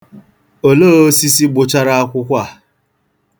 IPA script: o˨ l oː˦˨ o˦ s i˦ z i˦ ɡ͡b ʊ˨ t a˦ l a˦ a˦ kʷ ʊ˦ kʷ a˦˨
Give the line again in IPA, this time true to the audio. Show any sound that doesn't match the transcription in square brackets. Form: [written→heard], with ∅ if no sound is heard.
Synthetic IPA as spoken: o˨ l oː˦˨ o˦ s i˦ [z→s] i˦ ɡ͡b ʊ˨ [t→t͡ʃ] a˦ [l→ɾ] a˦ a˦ kʷ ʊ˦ kʷ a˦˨